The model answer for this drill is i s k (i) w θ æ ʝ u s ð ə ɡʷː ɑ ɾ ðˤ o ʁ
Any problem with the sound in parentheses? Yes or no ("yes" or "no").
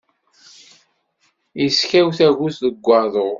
yes